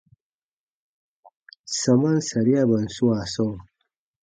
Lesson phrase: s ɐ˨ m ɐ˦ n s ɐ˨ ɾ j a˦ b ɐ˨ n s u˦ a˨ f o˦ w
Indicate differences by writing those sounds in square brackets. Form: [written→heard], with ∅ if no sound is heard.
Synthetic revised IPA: s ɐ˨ m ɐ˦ n s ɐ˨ ɾ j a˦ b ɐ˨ n s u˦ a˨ [f→s] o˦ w